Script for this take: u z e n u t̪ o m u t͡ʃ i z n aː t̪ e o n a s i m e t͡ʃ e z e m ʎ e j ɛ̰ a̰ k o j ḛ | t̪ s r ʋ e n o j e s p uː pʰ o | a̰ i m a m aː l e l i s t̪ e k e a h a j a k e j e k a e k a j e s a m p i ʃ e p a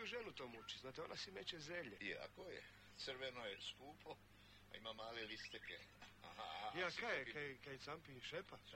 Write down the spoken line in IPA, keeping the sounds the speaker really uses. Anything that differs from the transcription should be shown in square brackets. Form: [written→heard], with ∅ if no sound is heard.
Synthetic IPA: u [z→ʒ] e n u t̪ o m u t͡ʃ i z n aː t̪ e o n a s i m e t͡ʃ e z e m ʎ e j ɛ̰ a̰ k o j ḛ | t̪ s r ʋ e n o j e s [p→k] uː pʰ o | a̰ i m a m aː l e l i s t̪ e k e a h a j a k [e→a] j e k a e k a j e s a m p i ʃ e p a